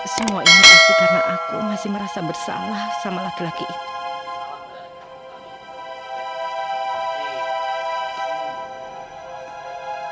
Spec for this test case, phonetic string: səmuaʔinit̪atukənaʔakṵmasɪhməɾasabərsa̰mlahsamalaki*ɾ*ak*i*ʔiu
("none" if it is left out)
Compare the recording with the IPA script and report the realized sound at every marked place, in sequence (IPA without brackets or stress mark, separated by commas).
l, i